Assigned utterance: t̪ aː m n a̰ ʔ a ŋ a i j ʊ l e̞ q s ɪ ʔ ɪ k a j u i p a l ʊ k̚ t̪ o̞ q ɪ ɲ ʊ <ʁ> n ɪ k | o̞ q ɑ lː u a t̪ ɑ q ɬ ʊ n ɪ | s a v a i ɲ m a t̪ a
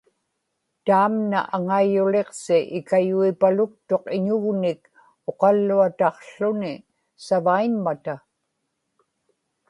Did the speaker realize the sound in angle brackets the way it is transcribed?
no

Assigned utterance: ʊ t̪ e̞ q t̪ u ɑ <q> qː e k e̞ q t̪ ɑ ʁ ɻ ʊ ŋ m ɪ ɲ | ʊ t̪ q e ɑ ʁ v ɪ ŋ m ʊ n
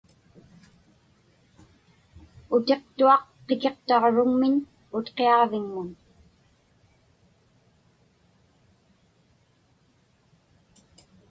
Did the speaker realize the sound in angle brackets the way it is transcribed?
yes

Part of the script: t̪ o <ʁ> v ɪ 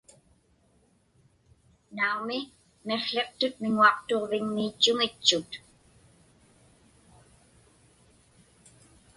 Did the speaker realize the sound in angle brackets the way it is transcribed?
yes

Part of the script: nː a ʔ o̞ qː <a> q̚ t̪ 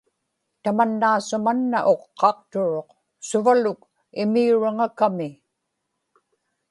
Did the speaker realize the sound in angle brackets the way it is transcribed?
no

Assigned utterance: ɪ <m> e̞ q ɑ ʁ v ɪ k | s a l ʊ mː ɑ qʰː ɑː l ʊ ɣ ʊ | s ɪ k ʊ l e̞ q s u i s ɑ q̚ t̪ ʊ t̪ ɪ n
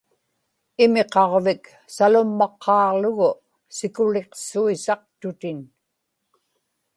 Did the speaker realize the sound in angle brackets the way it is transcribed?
yes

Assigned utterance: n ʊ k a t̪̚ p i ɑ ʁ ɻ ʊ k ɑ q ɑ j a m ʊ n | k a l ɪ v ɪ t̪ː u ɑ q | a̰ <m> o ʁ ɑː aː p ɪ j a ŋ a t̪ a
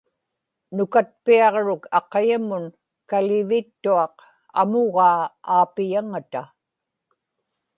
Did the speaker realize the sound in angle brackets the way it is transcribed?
yes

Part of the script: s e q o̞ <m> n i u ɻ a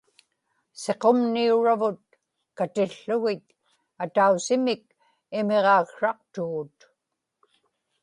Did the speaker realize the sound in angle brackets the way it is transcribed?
yes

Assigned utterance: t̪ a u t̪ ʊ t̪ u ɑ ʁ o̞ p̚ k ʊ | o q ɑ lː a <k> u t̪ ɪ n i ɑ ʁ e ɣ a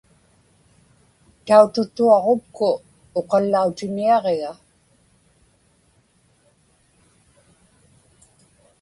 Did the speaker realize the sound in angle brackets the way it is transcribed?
no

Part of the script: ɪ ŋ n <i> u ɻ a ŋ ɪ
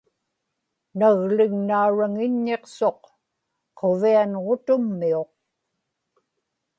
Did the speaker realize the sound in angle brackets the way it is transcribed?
no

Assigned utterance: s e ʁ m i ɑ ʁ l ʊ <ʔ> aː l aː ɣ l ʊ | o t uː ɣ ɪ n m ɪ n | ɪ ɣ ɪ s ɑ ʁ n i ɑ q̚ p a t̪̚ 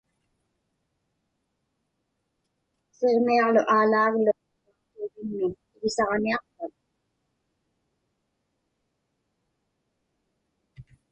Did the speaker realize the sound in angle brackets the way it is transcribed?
yes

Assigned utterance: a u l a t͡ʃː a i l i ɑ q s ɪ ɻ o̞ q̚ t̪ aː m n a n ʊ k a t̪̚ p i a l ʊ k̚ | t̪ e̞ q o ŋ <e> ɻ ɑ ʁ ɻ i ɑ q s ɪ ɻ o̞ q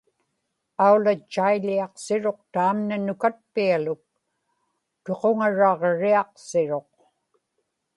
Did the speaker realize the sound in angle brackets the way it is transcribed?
no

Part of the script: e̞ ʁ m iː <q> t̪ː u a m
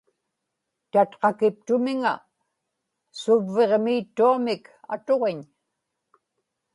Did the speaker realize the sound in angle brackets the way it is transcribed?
no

